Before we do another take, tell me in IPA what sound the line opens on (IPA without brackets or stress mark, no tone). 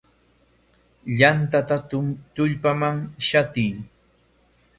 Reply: ʎ